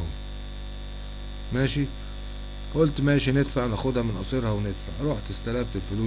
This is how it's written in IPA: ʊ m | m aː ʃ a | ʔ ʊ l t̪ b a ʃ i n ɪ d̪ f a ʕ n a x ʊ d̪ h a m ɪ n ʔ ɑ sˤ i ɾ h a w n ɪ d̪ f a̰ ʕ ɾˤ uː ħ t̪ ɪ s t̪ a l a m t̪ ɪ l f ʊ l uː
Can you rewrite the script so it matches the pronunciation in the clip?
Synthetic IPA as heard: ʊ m | m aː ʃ i | ʔ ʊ l t̪ m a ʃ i n ɪ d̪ f a ʕ n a x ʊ d̪ h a m ɪ n ʔ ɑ sˤ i ɾ h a w n ɪ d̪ f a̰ ʕ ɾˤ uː ħ t̪ ɪ s t̪ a l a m t̪ ɪ l f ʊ l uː

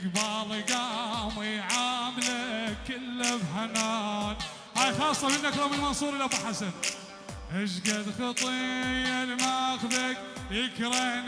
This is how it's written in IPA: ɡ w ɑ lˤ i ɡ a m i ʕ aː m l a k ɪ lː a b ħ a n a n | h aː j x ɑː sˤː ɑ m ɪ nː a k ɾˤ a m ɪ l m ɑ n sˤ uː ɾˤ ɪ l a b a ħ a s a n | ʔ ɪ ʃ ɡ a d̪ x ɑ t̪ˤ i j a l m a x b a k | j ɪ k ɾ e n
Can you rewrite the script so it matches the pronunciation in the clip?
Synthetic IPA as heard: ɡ b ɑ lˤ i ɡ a m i ʕ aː m l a k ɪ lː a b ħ a n a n | h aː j x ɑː sˤː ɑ m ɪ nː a k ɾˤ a m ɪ l m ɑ n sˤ uː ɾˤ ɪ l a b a ħ a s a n | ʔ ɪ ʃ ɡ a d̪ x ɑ t̪ˤ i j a l m a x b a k | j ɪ k ɾ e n

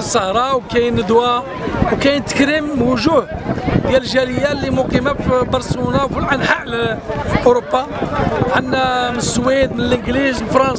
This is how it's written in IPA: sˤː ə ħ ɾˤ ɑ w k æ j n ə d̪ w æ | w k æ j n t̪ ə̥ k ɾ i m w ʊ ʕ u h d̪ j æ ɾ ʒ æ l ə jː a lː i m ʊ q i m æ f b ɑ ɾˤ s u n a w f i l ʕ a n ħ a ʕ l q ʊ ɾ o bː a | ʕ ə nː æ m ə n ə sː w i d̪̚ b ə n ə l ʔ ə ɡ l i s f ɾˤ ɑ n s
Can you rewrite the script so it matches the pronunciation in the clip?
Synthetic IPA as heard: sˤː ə h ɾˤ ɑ w k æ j n ə d̪ w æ | w k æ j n t̪ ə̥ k ɾ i m w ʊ ʒ u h d̪ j æ l ʒ æ l ə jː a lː i m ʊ q i m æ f b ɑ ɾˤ s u n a w f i l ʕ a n ħ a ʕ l ʔ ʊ ɾ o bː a | ʕ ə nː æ m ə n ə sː w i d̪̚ m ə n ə l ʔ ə ɡ l i z f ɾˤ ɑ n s

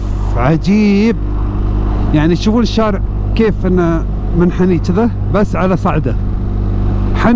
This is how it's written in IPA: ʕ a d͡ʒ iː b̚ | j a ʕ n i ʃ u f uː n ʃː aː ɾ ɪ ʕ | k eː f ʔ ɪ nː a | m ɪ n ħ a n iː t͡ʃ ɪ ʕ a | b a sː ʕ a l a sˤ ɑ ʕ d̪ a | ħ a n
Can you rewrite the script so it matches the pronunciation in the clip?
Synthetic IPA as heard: ʕ a d͡ʒ iː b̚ | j a ʕ n i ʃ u f uː n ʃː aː ɾ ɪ ʕ | k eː f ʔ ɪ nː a | m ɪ n ħ a n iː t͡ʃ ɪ ð a | b a sː ʕ a l a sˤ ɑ ʕ d̪ a | ħ a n

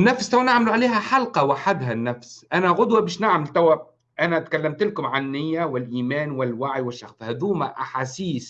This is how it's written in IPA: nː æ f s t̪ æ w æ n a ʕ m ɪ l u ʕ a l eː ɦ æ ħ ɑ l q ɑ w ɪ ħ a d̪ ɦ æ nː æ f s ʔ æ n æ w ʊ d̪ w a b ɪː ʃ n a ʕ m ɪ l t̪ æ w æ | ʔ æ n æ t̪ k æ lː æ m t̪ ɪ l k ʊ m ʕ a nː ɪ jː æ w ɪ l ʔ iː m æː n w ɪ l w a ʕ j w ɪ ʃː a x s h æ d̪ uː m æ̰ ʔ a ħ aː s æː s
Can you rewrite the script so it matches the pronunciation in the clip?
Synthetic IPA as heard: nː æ f s t̪ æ w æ n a ʕ m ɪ l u ʕ a l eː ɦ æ ħ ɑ l q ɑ w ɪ ħ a d̪ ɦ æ nː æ f s ʔ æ n æ ɣ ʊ d̪ w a b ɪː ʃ n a ʕ m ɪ l t̪ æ w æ | ʔ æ n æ t̪ k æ lː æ m t̪ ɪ l k ʊ m ʕ a nː ɪ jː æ w ɪ l ʔ iː m æː n w ɪ l w a ʕ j w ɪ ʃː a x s h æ d̪ uː m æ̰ ʔ a ħ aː s iː s

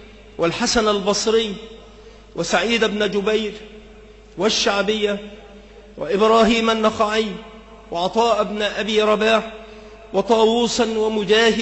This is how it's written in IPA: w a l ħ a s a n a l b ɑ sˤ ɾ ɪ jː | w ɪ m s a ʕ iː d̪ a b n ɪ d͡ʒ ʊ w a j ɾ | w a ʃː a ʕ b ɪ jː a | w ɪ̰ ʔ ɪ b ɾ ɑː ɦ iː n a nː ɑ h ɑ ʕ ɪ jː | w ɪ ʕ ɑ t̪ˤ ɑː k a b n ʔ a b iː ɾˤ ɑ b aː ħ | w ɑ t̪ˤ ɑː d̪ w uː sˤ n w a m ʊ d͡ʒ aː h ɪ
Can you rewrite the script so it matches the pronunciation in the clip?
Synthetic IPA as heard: w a l ħ a s a n a l b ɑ sˤ ɾ ɪ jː | w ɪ s a ʕ iː d̪ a b n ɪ d͡ʒ ʊ b a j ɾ | w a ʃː a ʕ b ɪ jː a | w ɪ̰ ʔ ɪ b ɾ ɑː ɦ iː m a nː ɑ x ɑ ʕ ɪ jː | w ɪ ʕ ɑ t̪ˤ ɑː ʔ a b n ʔ a b iː ɾˤ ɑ b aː ħ | w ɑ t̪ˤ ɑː w uː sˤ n w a m ʊ d͡ʒ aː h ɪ

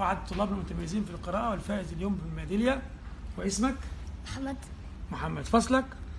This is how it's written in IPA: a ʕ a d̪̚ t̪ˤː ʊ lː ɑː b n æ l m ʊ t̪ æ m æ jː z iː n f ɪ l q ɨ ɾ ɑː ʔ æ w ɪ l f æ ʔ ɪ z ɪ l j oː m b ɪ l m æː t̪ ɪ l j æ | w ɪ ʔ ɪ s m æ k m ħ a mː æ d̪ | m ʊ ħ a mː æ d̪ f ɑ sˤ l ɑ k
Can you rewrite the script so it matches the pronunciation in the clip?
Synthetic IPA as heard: a ʕ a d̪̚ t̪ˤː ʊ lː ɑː b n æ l m ʊ t̪ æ m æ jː z iː n f i l q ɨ ɾ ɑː ʔ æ w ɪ l f æː ʔ ɪ z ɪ l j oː m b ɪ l m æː d̪ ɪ l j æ | w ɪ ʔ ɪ s m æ k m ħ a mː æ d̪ | m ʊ ħ a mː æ d̪ f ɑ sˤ l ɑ k

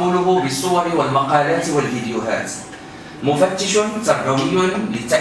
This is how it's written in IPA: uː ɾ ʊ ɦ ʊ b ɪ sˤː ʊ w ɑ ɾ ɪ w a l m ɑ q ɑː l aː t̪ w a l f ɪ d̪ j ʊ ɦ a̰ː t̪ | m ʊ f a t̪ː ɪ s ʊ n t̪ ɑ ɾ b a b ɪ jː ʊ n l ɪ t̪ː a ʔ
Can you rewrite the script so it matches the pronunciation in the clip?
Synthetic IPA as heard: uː l ʊ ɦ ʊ b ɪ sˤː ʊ w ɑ ɾ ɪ w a l m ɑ q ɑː l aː t̪ w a l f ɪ d̪ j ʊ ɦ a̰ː t̪ | m ʊ f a t̪ː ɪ ʃ ʊ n t̪ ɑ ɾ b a w ɪ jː ʊ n l ɪ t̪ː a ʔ

